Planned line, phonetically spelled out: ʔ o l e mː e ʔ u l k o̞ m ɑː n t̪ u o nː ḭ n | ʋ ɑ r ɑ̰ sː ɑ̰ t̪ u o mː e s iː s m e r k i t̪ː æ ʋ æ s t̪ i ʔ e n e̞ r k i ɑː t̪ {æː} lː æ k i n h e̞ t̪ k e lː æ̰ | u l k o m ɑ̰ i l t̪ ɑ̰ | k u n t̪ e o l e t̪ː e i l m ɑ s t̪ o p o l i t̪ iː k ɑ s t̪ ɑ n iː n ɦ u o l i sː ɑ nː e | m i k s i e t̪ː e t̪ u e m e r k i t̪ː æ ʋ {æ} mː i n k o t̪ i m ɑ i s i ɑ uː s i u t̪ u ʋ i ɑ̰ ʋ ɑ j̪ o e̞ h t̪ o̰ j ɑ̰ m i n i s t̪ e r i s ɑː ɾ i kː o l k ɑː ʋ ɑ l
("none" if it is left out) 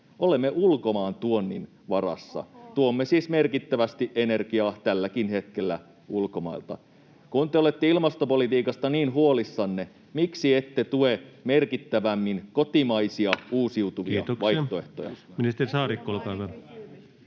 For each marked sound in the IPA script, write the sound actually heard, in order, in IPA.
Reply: æ, æ

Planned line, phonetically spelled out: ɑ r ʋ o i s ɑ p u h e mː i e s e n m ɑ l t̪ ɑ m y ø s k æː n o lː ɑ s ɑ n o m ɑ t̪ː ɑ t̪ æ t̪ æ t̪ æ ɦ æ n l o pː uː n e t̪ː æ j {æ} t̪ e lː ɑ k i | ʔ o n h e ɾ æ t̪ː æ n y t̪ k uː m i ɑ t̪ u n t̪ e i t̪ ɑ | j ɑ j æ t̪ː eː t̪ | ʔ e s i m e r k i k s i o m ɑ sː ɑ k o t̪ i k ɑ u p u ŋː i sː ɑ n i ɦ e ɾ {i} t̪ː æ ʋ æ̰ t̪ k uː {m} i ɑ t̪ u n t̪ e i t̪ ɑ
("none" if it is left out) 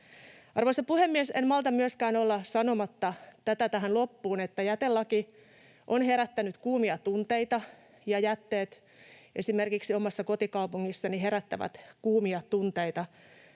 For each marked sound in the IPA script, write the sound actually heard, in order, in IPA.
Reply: æ, æ, m

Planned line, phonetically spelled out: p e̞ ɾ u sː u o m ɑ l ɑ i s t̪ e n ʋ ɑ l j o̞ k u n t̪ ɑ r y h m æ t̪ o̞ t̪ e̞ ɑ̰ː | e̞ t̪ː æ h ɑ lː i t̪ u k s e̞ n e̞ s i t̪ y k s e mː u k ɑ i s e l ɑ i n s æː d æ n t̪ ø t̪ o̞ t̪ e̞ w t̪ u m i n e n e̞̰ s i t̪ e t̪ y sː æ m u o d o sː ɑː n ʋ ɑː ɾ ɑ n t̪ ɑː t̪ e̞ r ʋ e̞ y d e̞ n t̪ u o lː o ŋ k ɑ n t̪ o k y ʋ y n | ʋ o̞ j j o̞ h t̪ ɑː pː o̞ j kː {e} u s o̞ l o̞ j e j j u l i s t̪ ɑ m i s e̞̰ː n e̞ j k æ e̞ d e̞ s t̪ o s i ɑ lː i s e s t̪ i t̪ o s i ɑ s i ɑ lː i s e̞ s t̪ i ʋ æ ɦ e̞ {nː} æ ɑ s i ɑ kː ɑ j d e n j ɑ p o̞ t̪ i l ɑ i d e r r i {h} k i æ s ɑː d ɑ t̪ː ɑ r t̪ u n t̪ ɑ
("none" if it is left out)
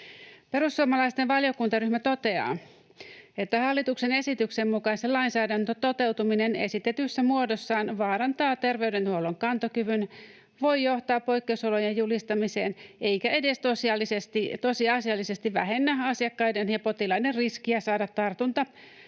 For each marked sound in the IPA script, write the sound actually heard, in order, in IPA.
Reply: e, nː, s

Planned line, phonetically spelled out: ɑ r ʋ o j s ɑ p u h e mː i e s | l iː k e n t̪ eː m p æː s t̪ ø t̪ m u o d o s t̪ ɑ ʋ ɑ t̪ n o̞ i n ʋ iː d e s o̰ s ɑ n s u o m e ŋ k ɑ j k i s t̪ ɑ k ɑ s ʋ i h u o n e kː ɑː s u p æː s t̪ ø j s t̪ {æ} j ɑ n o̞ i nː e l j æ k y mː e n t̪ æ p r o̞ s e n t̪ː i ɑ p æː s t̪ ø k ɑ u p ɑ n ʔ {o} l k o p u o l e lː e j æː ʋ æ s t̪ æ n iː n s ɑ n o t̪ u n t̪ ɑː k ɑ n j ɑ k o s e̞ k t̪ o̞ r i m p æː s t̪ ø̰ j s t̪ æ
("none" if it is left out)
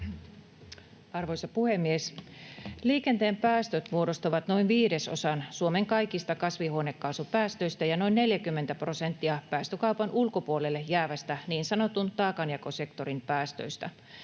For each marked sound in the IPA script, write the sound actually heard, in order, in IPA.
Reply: æ, u

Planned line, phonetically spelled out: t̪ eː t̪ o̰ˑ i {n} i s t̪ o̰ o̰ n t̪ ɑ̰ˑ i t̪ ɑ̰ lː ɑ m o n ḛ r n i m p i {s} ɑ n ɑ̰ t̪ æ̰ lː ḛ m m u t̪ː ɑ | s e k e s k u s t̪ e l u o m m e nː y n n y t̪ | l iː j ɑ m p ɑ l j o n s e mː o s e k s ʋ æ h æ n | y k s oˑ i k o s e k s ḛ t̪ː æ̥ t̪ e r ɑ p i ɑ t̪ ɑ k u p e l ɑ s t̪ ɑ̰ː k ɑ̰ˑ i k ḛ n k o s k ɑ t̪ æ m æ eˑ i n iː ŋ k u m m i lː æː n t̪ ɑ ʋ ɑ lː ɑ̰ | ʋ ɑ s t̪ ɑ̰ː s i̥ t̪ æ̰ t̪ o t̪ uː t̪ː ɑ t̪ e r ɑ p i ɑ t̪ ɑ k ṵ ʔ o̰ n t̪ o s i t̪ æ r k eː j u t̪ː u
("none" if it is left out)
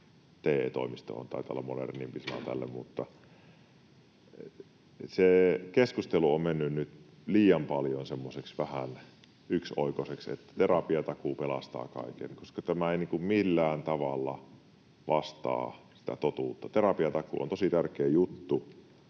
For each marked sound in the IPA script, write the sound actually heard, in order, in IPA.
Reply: m, s

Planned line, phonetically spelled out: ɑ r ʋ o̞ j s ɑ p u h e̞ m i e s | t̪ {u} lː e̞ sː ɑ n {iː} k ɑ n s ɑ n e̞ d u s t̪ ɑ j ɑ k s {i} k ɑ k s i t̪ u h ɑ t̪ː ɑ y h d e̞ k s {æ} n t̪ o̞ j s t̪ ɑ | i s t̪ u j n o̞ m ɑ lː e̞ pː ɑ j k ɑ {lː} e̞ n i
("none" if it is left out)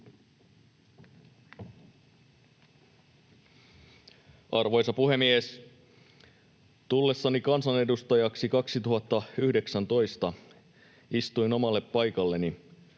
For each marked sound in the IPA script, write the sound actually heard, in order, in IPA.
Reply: u, i, i, æ, lː

